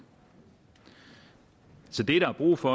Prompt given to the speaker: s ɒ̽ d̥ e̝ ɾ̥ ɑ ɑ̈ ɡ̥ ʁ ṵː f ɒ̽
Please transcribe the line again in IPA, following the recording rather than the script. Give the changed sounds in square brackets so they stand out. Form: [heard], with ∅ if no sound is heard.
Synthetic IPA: s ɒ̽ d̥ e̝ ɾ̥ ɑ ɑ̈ [b̥] ʁ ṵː f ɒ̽